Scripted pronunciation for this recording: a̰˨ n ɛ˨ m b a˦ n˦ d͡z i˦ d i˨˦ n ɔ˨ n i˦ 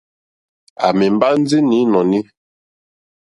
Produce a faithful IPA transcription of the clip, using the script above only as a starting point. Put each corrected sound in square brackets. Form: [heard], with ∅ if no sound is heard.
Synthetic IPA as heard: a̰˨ [m] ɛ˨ m b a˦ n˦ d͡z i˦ [n] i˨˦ n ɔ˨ n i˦

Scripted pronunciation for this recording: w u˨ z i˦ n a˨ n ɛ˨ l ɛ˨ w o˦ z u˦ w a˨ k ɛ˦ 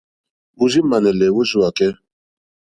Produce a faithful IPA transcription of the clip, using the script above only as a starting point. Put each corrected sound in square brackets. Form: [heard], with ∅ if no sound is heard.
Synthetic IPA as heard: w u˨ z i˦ [m] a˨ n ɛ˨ l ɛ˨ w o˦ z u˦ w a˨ k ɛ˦

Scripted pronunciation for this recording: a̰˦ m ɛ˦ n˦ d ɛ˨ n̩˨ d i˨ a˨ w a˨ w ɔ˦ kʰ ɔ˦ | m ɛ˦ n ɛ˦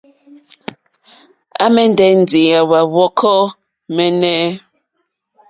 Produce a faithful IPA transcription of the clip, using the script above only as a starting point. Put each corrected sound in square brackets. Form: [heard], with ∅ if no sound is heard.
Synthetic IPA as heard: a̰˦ m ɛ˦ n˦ d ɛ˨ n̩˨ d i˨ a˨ w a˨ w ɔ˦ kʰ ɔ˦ | m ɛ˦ n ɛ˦

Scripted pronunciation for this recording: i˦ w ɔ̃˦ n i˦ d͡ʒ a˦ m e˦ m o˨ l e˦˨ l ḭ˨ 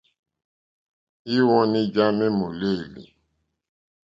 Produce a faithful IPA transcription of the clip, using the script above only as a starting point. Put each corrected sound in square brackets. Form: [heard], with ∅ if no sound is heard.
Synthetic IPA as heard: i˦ w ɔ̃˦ n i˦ d͡ʒ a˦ m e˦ m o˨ l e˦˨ l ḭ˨

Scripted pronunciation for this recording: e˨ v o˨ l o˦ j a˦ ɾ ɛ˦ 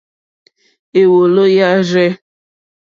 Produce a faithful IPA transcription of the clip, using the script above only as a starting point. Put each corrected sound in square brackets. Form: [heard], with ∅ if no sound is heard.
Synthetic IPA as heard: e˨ [w] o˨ l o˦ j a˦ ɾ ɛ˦

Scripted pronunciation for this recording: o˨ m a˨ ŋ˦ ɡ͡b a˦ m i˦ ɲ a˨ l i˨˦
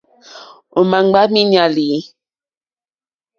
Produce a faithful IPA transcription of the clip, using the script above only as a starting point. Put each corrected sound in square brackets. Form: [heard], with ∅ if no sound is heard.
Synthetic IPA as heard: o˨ m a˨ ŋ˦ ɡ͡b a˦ m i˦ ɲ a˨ l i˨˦

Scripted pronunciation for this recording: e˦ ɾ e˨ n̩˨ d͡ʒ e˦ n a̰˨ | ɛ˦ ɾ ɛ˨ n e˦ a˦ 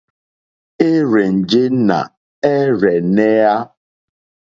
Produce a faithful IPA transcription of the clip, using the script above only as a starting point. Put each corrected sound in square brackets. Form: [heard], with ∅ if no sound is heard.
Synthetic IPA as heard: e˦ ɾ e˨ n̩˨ d͡ʒ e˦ n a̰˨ | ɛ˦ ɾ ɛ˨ n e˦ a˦

